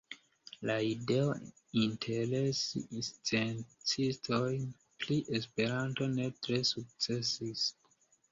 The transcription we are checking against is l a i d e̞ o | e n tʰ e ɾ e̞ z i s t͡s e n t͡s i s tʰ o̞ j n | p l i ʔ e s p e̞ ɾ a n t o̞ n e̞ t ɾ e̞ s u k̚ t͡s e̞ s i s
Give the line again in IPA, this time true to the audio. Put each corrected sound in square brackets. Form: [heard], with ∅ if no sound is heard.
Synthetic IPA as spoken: l a i d e̞ o | [i] n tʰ e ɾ e̞ [s] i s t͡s e n t͡s i s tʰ o̞ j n | p l i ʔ e s p e̞ ɾ a n t o̞ n e̞ t ɾ e̞ s u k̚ t͡s e̞ s i s